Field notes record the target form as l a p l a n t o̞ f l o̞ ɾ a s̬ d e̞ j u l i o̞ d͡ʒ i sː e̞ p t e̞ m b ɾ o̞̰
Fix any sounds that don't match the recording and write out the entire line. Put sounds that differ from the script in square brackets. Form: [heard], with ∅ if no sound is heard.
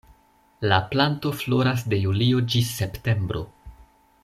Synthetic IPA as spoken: l a p l a n t o̞ f l o̞ ɾ a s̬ d e̞ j u l i o̞ d͡ʒ i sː e̞ p t e̞ m b ɾ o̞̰